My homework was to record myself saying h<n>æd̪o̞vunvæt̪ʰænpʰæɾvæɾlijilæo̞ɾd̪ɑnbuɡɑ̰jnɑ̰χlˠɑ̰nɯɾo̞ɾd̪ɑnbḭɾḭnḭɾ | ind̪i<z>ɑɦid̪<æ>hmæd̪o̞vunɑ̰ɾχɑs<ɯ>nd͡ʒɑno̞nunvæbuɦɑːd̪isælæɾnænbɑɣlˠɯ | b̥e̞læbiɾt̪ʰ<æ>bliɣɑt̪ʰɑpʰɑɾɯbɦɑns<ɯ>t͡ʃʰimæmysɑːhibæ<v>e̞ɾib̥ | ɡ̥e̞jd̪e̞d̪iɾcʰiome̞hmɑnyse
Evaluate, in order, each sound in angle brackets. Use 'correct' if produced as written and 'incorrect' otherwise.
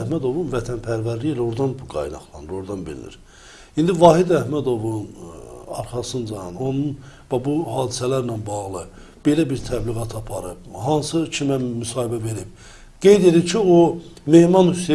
incorrect: m, incorrect: v, correct, correct, correct, correct, correct

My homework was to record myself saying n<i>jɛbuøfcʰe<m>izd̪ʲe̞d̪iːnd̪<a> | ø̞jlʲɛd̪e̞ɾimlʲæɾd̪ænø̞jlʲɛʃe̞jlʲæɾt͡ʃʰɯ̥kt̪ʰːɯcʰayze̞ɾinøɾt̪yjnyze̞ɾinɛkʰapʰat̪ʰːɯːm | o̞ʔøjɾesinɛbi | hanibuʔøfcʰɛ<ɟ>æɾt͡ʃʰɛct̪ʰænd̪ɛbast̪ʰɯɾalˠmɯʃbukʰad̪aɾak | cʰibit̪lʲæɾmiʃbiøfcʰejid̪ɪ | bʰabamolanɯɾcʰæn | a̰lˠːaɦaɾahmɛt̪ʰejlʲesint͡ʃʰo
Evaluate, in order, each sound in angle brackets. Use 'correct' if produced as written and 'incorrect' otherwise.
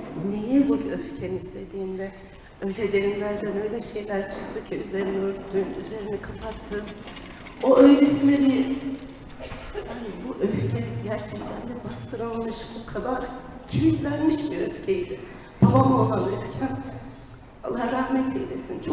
incorrect: e, incorrect: n, incorrect: ɛ, correct

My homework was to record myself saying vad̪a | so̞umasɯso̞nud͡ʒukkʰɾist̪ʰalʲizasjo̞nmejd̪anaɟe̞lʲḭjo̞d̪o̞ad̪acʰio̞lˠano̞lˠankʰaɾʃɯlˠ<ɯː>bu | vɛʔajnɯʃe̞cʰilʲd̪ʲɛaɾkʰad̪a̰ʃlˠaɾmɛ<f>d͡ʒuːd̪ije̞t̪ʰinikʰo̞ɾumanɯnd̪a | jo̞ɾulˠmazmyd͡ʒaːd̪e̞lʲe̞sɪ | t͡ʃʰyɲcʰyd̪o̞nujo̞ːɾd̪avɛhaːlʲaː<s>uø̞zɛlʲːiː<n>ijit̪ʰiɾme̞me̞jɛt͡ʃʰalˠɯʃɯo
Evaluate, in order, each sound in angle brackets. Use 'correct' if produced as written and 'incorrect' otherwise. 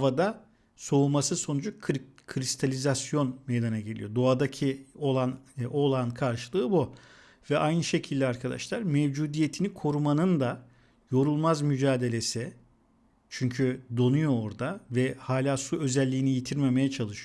correct, incorrect: v, correct, correct

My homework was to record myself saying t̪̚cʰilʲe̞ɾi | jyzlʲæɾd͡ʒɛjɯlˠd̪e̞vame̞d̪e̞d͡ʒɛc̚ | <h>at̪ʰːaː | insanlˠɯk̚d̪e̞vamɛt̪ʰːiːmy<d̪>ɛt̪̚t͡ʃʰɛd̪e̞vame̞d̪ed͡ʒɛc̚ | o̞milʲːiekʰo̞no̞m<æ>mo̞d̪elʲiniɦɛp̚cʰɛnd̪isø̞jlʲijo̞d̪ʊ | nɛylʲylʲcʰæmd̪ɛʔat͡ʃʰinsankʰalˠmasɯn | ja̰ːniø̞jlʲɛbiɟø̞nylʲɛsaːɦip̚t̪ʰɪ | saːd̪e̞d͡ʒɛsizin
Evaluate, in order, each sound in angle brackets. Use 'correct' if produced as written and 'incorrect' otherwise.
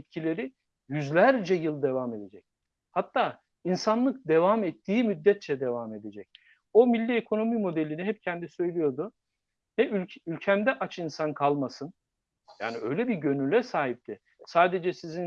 correct, incorrect: d̪ː, incorrect: i

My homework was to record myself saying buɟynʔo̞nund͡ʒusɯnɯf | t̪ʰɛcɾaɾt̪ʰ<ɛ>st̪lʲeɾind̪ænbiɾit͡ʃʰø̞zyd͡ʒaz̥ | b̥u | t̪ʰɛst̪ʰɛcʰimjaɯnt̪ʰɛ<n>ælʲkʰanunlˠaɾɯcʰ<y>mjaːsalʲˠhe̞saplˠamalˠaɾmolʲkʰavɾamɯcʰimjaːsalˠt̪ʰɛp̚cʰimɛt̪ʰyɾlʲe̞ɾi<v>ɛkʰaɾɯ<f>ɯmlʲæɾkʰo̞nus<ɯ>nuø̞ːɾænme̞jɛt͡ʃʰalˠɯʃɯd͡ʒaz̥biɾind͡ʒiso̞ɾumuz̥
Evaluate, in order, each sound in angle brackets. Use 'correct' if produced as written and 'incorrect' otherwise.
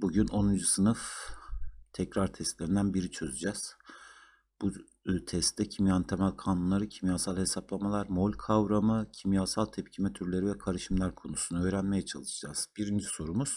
correct, incorrect: m, incorrect: i, correct, incorrect: ʃ, incorrect: u

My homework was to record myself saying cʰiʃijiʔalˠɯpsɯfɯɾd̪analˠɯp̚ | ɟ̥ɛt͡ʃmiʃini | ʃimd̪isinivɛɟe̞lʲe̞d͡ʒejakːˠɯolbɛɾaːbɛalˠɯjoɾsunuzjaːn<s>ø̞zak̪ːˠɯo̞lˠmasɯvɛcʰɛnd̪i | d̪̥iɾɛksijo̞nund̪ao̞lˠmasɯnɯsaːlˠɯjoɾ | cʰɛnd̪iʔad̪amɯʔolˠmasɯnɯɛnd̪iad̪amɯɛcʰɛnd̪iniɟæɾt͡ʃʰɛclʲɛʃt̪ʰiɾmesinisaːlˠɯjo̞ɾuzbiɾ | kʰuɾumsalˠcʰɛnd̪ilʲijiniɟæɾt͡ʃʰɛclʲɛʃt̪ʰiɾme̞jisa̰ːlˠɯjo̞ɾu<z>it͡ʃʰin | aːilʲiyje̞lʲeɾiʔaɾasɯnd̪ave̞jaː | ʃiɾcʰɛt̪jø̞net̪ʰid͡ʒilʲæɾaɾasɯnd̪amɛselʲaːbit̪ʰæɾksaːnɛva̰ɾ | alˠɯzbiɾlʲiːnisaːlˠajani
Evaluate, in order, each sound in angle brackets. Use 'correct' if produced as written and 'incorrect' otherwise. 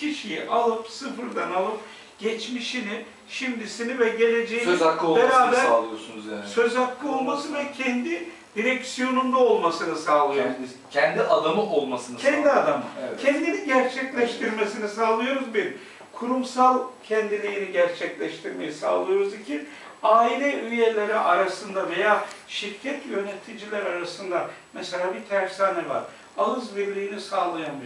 correct, correct

